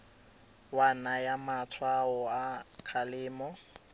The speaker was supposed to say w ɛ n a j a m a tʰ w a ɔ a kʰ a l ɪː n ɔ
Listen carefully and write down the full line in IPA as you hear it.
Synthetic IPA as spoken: w a n a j a m a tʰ w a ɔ a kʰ a l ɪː m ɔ